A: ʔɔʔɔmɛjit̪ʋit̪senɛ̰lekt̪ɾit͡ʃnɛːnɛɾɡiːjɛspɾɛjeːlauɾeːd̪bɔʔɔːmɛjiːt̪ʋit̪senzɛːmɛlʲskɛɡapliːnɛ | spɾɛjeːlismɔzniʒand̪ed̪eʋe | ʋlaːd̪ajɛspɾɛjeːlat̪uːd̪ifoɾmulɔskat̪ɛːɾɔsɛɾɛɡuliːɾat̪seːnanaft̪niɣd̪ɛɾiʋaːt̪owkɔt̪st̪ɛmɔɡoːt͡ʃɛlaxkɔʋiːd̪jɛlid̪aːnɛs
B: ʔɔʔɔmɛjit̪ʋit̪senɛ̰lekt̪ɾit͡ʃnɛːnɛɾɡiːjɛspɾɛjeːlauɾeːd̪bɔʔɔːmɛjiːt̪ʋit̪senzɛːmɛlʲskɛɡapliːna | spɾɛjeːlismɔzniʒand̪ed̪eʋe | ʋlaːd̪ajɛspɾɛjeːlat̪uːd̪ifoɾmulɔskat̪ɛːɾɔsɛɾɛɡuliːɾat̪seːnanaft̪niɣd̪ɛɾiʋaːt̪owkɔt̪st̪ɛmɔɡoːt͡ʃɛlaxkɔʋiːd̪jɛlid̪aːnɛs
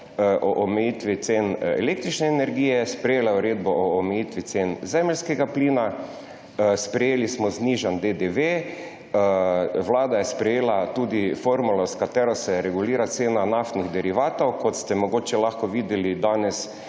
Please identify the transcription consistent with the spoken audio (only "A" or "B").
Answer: B